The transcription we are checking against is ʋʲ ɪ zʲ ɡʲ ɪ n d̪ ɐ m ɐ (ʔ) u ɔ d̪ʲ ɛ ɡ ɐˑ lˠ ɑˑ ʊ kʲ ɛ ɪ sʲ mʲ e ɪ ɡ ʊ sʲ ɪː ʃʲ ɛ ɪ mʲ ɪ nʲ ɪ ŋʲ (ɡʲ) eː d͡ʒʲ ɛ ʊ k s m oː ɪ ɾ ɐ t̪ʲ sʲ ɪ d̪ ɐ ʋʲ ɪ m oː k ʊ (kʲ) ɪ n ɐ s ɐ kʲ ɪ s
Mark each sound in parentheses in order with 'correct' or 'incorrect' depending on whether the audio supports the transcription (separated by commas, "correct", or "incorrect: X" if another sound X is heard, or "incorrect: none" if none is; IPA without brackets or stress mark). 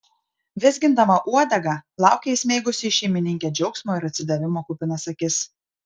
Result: correct, incorrect: kʲ, incorrect: pʲ